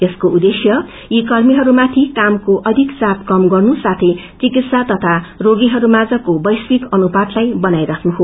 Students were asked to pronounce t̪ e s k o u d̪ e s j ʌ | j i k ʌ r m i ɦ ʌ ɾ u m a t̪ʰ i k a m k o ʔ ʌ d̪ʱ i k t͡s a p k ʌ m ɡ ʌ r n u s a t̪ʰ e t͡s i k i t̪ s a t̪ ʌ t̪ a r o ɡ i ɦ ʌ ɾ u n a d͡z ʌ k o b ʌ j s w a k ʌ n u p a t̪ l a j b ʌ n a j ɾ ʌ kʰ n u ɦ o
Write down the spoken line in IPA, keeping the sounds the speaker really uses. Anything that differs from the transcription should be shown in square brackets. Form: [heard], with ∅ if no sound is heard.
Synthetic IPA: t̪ e s k o u d̪ e s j ʌ | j i k ʌ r m i ɦ ʌ ɾ u m a t̪ʰ i k a m k o ʔ ʌ d̪ʱ i k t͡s a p k ʌ m ɡ ʌ r n u s a t̪ʰ e t͡s i k i t̪ s a t̪ ʌ [t̪ʰ] a r o ɡ i ɦ ʌ ɾ u [m] a d͡z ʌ k o b ʌ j s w [i] k ʌ n u p a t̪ l a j b ʌ n a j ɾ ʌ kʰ n u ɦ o